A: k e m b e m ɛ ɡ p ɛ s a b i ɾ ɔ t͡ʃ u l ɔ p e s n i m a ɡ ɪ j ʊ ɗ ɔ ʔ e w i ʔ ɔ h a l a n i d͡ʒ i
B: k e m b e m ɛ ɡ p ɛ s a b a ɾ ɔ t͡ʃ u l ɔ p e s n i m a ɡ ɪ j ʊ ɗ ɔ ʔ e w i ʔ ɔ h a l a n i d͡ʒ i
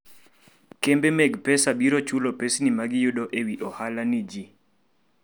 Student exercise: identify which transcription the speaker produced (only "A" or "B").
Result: A